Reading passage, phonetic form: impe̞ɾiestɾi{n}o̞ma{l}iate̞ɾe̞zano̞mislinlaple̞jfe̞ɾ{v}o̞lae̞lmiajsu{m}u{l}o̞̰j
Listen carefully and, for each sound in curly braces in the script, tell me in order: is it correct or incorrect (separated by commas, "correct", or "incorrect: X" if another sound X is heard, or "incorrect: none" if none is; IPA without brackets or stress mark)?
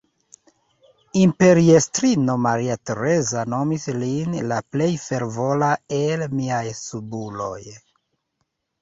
correct, incorrect: ɾ, correct, incorrect: b, correct